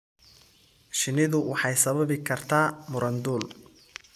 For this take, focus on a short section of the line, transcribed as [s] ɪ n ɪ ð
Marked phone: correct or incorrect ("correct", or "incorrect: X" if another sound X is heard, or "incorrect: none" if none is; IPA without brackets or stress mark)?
incorrect: ʃ